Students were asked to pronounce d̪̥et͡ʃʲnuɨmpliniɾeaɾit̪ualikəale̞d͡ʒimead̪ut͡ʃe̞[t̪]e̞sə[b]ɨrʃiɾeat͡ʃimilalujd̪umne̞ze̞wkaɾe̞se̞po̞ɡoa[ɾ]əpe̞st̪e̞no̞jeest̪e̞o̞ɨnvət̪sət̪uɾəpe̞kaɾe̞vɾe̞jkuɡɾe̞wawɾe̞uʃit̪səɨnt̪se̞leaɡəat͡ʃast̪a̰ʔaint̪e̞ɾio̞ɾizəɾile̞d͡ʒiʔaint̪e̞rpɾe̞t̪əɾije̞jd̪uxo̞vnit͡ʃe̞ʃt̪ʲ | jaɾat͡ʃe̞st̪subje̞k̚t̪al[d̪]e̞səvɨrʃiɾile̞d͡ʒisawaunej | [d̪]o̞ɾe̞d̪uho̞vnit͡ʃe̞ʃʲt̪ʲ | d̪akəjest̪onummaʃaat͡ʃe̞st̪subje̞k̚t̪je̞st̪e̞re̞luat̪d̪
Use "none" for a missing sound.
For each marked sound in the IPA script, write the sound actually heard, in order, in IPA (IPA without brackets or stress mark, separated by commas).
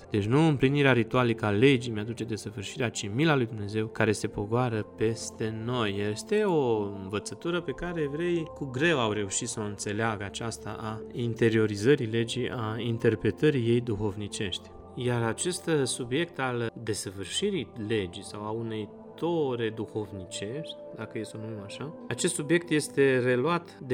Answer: d̪, v, ɾ, d̪, t̪